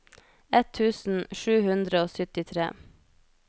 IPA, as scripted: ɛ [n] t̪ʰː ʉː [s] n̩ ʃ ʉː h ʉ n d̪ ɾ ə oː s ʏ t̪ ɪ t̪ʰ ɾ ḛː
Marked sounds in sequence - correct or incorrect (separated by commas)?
incorrect, correct